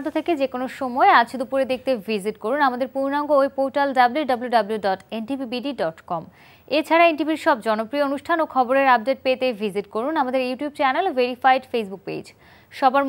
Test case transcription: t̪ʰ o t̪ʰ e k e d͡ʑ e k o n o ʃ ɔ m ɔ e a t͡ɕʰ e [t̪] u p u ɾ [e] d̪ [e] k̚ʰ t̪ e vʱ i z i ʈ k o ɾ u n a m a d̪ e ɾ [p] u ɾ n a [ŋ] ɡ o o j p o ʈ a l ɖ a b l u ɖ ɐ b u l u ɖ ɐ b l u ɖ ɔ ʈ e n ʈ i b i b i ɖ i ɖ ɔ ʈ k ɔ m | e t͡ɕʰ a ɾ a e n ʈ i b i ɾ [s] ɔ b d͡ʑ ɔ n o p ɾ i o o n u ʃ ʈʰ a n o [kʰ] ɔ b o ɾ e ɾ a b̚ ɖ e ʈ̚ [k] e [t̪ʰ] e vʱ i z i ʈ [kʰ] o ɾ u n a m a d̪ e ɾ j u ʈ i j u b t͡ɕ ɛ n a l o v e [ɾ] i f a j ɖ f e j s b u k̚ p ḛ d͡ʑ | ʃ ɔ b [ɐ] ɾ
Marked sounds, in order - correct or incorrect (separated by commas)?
incorrect, correct, correct, correct, correct, incorrect, correct, incorrect, incorrect, incorrect, correct, incorrect